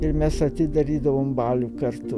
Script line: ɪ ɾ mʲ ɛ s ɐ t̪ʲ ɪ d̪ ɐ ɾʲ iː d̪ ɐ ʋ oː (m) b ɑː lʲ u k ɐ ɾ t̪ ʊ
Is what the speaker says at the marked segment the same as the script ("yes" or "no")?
yes